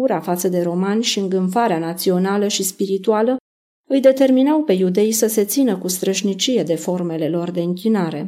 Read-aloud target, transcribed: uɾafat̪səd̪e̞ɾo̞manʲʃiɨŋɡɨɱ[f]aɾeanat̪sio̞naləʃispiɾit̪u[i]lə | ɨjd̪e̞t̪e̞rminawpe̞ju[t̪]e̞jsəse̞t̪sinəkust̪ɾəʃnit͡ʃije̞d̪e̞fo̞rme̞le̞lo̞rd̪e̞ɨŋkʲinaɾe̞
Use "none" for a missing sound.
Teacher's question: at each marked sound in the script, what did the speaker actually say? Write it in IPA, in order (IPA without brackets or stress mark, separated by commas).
f, a, d̪